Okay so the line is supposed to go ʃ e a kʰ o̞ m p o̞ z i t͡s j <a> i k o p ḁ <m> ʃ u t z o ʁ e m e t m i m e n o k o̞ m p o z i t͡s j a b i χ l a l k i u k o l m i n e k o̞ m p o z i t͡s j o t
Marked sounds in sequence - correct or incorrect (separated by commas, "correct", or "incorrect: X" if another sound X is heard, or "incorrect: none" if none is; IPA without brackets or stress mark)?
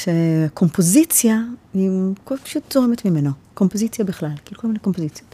correct, incorrect: none